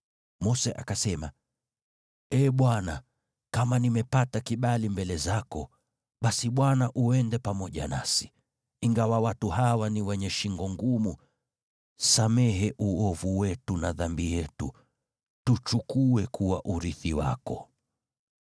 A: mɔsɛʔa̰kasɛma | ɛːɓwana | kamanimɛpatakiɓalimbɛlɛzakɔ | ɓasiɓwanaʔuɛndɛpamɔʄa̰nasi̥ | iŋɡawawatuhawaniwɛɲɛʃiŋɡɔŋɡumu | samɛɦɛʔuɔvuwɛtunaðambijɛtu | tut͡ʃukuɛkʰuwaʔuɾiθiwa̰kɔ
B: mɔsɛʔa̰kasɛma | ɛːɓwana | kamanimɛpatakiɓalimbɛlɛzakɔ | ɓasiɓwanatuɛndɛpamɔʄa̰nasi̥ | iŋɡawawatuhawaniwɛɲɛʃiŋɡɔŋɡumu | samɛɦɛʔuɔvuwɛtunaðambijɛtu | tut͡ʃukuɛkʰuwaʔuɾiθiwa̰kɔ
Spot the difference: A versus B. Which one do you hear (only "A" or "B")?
A